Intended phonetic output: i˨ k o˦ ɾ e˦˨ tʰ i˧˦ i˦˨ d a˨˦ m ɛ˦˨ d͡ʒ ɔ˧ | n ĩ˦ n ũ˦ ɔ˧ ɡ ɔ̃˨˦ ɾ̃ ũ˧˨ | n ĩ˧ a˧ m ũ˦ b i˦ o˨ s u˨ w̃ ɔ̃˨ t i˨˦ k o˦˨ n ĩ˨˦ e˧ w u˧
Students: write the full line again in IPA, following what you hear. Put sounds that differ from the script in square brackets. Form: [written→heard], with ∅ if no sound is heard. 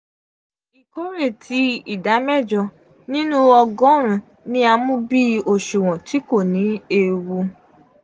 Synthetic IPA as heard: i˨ k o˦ ɾ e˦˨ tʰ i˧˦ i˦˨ d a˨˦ m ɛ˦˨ d͡ʒ ɔ˧ | n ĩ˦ n ũ˦ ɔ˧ ɡ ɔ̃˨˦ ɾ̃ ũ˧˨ | n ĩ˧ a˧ m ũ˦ b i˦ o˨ [s→ʃ] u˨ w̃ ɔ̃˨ t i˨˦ k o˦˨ n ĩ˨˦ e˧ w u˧